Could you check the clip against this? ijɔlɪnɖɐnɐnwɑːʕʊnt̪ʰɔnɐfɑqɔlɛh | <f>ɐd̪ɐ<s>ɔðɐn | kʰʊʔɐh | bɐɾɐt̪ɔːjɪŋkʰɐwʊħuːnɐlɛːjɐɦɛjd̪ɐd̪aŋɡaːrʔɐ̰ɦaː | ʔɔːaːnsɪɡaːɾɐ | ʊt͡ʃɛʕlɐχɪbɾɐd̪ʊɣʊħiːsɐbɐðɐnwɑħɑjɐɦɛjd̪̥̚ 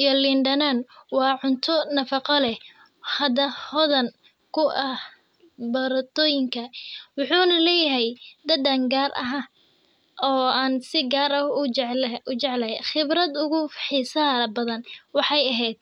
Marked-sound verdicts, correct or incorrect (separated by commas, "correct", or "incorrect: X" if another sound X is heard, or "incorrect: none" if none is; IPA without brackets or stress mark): incorrect: h, incorrect: h